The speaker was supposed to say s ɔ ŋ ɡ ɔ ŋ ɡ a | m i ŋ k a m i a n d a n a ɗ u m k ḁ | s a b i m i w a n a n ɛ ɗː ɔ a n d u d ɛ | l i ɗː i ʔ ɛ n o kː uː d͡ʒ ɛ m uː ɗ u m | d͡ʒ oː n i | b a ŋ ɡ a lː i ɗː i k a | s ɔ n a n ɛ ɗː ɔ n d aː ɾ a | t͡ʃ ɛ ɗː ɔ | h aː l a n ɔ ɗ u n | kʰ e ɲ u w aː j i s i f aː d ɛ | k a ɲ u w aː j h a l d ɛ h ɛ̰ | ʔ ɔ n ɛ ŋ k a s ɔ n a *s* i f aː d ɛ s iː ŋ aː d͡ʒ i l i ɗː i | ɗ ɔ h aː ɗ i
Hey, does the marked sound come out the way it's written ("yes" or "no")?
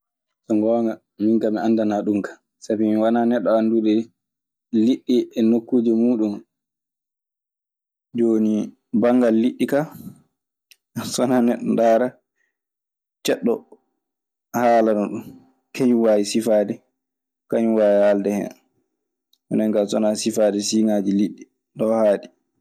yes